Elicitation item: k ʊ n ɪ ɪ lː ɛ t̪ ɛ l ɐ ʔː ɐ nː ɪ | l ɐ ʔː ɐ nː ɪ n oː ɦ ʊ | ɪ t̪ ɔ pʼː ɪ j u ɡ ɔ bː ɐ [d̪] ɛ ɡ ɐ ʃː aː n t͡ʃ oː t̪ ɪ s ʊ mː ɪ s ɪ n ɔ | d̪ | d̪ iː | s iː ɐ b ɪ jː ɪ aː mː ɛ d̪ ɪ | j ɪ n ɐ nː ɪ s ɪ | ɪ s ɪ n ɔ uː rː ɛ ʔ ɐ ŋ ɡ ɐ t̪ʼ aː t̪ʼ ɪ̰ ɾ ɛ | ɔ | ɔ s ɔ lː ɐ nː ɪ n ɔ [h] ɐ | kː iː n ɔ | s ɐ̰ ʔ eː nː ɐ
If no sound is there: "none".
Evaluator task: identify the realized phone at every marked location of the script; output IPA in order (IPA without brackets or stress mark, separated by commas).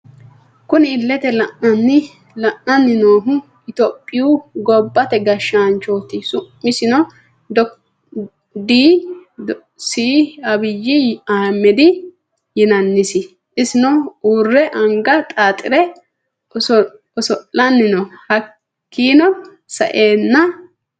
t̪, h